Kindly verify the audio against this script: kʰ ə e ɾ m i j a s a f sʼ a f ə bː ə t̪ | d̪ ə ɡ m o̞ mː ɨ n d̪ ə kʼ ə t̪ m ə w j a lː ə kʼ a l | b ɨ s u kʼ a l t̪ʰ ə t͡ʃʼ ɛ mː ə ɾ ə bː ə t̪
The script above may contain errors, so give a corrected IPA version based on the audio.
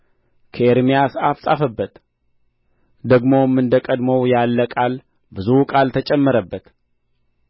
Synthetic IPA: kʰ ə e ɾ m i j a s a f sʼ a f ə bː ə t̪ | d̪ ə ɡ m o̞ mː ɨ n d̪ ə kʼ ə d̪ m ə w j a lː ə kʼ a l | b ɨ z u kʼ a l t̪ʰ ə t͡ʃʼ ɛ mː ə ɾ ə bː ə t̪

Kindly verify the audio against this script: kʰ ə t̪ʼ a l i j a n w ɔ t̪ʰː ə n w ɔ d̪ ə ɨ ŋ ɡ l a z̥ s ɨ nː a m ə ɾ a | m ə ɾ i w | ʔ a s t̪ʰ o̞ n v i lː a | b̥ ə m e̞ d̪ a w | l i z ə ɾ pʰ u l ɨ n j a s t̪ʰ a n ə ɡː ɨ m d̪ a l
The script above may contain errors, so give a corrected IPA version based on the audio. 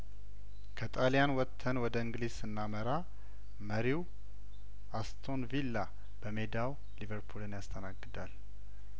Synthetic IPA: kʰ ə t̪ʼ a l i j a n w ɔ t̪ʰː ə n w ɔ d̪ ə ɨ ŋ ɡ l i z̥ s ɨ nː a m ə ɾ a | m ə ɾ i w | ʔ a s t̪ʰ o̞ n v i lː a | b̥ ə m e̞ d̪ a w | l i v ə ɾ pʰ u l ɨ n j a s t̪ʰ ə n a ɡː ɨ d̪ a l

